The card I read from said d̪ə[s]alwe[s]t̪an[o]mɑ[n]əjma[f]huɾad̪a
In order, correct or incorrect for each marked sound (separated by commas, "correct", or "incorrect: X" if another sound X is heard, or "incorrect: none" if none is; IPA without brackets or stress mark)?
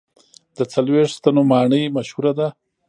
incorrect: t͡s, incorrect: ʂ, correct, incorrect: ɳ, incorrect: ʃ